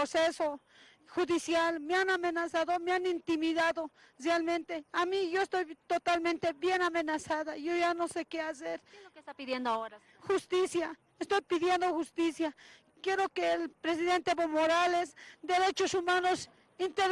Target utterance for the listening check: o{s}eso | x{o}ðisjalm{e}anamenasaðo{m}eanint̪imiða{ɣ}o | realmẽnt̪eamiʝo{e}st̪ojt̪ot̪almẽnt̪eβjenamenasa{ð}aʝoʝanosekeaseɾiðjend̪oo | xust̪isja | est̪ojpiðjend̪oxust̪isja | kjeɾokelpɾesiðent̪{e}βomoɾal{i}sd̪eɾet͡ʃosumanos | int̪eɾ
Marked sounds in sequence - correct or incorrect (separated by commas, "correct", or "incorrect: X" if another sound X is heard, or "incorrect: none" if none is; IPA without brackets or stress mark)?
correct, incorrect: u, correct, correct, incorrect: ð, correct, correct, correct, incorrect: e